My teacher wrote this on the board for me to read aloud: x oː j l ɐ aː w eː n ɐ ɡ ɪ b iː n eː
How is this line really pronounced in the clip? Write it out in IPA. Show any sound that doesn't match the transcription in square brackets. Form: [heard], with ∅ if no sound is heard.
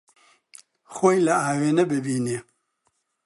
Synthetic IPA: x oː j l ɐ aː w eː n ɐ [b] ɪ b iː n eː